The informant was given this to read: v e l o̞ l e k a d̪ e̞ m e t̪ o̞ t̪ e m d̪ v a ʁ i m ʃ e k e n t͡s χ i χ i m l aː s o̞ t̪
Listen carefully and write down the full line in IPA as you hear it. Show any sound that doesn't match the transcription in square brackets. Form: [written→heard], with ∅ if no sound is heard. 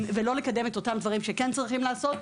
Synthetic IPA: v e l o̞ l e k a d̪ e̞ m e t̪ o̞ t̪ [e→a] m d̪ v a ʁ i m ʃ e k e n t͡s [χ→ʁ] i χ i m l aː s o̞ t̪